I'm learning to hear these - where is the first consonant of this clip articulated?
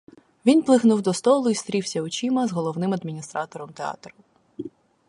lips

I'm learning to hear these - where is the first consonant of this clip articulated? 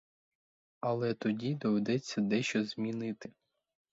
tongue tip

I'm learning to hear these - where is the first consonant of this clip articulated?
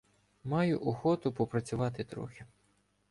lips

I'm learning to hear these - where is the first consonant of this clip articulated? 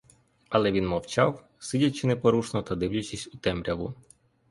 tongue tip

